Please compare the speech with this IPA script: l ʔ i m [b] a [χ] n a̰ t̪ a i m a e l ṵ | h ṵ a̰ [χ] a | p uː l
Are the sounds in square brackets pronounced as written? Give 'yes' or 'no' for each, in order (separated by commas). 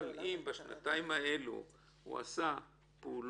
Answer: yes, no, no